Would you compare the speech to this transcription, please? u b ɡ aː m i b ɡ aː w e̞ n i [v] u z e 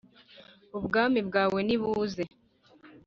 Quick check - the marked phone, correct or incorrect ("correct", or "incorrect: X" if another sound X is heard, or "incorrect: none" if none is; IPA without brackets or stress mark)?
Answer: incorrect: β